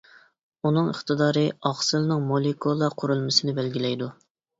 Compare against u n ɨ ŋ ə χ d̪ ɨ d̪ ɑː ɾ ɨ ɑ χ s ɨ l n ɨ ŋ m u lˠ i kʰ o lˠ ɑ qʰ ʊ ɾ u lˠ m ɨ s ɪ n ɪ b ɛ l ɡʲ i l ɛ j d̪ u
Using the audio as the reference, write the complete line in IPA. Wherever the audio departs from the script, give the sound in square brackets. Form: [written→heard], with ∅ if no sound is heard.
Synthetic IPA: u n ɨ ŋ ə χ [d̪→t̪] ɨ d̪ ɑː ɾ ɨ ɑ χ s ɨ l n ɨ ŋ m [u→o] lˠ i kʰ o lˠ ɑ qʰ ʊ ɾ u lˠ m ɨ s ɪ n ɪ b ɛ l ɡʲ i l ɛ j d̪ u